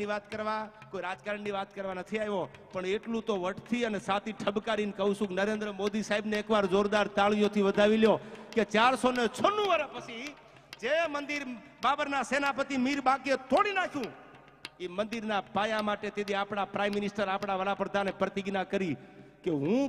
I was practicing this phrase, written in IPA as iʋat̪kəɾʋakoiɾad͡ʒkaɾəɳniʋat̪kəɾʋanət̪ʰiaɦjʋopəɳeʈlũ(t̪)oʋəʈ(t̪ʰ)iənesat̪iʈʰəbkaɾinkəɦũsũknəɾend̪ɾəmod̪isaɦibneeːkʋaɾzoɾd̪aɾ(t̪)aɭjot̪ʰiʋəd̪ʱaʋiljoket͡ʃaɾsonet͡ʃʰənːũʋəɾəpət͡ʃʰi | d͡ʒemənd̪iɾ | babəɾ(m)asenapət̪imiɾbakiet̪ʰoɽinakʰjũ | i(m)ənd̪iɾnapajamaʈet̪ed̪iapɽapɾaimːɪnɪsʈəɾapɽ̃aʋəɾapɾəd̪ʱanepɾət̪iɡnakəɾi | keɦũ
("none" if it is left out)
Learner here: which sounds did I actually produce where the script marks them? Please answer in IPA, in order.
t̪, t̪ʰ, t̪, n, m

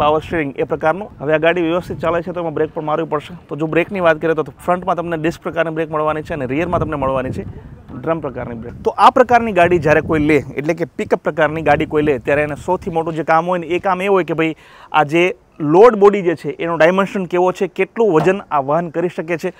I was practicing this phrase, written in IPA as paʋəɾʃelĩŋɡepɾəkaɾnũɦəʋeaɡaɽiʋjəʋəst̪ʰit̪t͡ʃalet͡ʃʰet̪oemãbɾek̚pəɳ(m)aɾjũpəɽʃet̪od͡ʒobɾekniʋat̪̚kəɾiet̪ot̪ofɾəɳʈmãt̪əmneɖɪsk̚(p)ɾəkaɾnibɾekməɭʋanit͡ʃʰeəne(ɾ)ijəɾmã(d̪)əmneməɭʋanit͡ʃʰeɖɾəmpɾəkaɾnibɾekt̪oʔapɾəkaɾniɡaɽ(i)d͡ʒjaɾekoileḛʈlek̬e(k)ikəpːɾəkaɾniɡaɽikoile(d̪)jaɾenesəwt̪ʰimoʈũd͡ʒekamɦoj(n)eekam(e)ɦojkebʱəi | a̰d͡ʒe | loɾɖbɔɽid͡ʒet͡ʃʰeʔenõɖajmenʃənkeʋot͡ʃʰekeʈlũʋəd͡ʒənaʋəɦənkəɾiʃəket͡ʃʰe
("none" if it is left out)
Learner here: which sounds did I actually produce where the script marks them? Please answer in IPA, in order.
m, p, ɾ, t̪, i, p, t̪, n, e

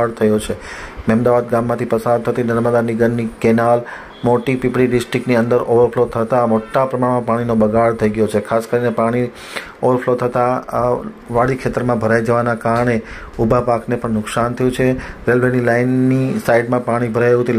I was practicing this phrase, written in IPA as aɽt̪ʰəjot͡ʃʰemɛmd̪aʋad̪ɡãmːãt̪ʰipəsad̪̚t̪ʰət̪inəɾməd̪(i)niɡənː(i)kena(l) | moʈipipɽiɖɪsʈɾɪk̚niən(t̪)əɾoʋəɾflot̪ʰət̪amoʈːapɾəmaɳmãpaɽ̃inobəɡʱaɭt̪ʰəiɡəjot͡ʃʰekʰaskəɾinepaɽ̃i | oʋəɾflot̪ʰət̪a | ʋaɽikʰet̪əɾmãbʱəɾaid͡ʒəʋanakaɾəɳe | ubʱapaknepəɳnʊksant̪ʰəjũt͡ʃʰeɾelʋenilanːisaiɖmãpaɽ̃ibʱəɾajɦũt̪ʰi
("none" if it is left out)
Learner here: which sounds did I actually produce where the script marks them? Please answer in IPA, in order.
a, i, l, d̪

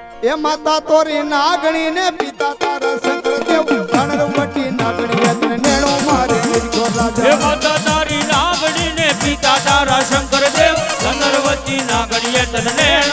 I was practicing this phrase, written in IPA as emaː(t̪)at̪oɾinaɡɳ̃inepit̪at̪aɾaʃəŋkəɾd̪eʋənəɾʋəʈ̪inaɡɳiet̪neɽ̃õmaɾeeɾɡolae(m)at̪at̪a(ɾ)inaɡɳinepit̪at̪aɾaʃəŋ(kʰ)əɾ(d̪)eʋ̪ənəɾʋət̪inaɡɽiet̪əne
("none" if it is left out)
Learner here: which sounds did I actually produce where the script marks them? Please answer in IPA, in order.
t̪, m, ɾ, k, d̪

